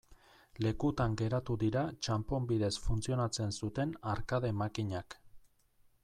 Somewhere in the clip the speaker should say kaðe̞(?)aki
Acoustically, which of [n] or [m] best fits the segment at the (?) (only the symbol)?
m